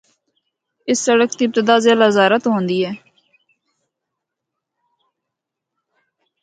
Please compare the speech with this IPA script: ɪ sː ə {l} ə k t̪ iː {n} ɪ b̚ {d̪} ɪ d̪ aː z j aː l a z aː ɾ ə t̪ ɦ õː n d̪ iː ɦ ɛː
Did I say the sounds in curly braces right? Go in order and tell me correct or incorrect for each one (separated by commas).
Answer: incorrect, incorrect, incorrect